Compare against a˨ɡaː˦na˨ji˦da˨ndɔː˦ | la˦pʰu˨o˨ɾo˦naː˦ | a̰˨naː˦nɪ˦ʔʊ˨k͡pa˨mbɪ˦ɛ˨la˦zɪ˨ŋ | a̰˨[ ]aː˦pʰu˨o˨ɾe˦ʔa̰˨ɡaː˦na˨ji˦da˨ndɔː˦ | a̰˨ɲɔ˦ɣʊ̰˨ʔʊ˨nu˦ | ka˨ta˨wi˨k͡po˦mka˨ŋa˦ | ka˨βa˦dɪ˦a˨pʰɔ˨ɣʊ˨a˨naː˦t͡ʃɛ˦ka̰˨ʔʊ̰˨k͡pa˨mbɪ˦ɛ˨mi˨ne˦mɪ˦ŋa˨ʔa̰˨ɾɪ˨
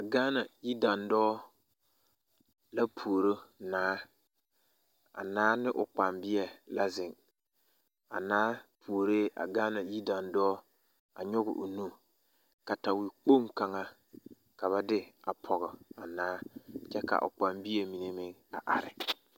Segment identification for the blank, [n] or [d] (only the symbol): n